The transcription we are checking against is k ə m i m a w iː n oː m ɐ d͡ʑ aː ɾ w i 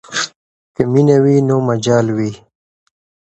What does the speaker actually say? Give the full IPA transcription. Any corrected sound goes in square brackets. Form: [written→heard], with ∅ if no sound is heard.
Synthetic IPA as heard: k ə m i [m→n] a w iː n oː m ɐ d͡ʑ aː [ɾ→l] w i